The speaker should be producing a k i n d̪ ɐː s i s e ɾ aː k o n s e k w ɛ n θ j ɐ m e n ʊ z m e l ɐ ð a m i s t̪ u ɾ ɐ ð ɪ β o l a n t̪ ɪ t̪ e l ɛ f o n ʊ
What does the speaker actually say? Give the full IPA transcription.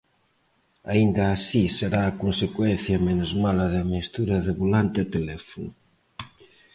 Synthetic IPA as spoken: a i n d̪ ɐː s i s e ɾ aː k o n s e k w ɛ n θ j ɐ m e n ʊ z m a l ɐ ð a m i s t̪ u ɾ ɐ ð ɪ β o l a n t̪ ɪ t̪ e l ɛ f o n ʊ